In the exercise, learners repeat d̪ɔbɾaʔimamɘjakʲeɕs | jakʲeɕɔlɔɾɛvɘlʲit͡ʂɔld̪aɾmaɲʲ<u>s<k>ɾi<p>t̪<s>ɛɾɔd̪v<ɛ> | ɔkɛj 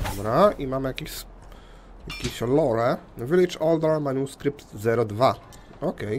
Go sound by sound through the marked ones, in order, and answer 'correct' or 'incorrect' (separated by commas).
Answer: correct, correct, correct, incorrect, incorrect